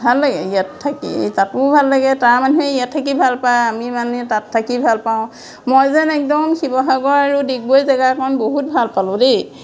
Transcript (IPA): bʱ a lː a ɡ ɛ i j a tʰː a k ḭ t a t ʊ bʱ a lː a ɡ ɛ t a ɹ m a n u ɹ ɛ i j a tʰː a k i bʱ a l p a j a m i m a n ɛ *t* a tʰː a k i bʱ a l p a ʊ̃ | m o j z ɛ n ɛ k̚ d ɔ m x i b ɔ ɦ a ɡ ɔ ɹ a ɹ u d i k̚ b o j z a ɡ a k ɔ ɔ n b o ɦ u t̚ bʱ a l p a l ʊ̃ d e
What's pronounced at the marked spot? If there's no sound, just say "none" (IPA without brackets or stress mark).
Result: t